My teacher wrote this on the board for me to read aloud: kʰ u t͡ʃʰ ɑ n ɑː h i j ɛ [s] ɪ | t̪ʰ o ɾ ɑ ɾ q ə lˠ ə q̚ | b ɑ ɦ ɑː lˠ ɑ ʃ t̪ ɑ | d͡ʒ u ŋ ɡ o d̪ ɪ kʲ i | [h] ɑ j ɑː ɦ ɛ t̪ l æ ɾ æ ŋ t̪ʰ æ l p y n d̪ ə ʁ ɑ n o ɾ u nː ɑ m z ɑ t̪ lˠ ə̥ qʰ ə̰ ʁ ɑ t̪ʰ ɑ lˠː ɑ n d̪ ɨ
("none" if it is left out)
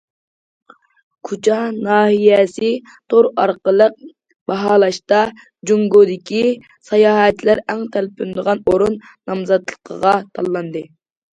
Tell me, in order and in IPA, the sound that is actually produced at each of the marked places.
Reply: s, s

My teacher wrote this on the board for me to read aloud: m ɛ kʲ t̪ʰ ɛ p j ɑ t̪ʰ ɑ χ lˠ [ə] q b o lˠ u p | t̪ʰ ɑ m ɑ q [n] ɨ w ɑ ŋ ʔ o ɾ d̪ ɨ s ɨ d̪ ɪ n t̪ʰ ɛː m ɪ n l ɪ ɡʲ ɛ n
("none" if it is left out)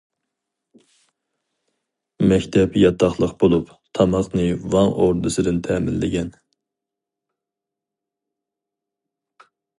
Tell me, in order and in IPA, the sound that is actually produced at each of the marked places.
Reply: ə, n

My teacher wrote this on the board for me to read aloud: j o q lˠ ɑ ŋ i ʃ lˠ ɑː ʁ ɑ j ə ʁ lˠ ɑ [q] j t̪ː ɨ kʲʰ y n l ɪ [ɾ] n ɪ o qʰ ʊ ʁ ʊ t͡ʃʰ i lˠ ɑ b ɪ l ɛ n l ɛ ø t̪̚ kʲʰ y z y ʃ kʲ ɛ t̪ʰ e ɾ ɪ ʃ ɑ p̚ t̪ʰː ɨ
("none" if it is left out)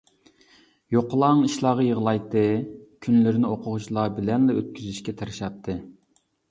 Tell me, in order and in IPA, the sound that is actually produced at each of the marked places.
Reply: none, ɾ

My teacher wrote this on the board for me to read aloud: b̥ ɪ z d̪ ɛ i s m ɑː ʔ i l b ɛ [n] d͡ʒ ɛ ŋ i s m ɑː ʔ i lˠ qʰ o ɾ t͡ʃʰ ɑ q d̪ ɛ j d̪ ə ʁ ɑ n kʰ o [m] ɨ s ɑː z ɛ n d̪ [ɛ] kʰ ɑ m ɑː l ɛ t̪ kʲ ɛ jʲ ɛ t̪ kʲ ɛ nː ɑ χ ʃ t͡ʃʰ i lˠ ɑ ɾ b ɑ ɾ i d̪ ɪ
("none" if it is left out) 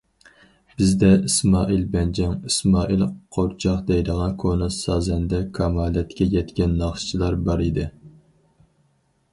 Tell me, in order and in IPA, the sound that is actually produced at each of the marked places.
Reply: n, n, ɛ

